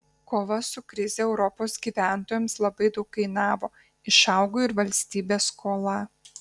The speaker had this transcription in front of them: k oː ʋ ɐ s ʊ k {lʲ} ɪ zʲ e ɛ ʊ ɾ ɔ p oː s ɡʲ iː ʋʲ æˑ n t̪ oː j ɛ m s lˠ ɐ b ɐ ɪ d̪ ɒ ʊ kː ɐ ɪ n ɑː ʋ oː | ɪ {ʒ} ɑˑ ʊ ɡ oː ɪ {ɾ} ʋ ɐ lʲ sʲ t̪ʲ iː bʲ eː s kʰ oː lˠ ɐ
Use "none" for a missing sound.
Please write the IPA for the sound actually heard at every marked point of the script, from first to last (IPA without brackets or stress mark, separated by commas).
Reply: ɾʲ, ʃ, ɾ